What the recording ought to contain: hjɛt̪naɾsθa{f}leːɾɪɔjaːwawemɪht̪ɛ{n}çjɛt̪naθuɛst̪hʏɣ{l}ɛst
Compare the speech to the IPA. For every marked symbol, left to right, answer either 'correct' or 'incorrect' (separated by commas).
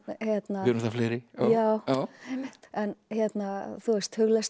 correct, correct, correct